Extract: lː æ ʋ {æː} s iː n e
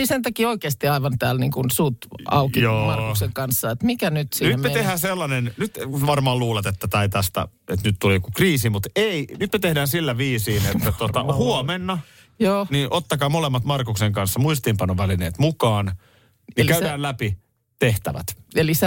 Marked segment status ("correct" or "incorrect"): incorrect